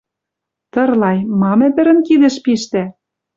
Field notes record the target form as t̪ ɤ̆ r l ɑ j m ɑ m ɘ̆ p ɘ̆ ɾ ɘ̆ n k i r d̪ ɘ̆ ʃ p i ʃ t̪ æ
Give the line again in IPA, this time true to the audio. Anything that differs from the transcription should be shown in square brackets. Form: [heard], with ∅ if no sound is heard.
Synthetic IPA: t̪ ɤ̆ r l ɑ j m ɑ m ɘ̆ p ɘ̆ ɾ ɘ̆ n k i [∅] d̪ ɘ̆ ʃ p i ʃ t̪ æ